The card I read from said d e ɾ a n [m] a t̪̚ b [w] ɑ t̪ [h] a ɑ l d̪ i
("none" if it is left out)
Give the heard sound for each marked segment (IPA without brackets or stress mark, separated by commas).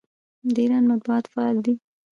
m, u, f